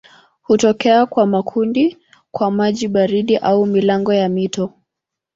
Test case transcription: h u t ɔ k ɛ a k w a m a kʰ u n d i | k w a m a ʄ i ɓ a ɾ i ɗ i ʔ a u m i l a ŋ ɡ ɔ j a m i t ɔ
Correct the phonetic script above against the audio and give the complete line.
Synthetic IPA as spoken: h u t ɔ k ɛ a k w a m a kʰ u n d i | k w a m a ʄ i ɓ a ɾ i ɗ i ʔ a u m i l a ŋ ɡ ɔ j a m i t ɔ